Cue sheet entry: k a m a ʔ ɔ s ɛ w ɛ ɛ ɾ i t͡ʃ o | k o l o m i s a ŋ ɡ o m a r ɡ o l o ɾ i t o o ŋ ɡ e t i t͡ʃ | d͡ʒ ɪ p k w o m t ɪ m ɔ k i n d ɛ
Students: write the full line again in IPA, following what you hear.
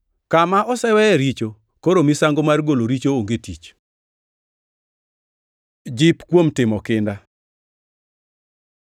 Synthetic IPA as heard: k a m a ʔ ɔ s ɛ w ɛ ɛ ɾ i t͡ʃ o | k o ɾ o m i s a ŋ ɡ o m a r ɡ o l o ɾ i t͡ʃ o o ŋ ɡ e t i t͡ʃ | d͡ʒ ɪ p k w o m t ɪ m ɔ k ɪ n d a